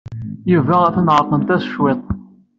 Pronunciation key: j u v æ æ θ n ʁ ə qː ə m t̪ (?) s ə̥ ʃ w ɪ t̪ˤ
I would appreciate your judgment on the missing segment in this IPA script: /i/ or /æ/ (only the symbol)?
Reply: æ